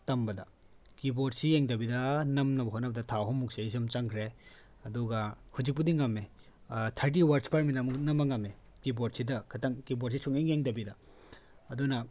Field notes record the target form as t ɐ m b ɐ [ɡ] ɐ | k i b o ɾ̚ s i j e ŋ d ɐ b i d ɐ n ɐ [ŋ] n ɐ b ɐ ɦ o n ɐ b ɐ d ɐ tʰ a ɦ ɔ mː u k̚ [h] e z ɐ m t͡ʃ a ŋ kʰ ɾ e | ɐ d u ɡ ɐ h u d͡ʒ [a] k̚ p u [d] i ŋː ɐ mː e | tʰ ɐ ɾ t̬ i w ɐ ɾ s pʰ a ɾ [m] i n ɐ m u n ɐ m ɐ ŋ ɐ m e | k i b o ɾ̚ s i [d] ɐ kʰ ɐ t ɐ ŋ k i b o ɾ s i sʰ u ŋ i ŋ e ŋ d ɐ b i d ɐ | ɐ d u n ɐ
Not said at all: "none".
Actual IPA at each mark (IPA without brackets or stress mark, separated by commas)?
d, m, s, i, d, m, d